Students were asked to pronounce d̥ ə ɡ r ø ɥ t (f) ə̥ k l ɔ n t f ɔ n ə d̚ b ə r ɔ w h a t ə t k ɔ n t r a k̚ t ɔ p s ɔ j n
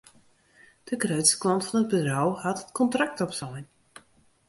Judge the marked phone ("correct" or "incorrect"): incorrect